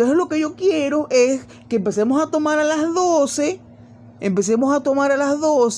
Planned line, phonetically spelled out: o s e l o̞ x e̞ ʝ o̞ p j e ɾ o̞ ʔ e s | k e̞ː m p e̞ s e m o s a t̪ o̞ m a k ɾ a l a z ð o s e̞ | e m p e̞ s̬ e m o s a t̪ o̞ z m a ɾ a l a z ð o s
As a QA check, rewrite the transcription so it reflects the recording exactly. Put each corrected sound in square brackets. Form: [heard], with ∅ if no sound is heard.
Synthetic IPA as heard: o s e l o̞ [k] e̞ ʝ o̞ [k] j e ɾ o̞ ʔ e s | k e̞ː m p e̞ s e m o s a t̪ o̞ m a [∅] ɾ a l a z ð o s e̞ | e m p e̞ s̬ e m o s a t̪ o̞ [∅] m a ɾ a l a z ð o s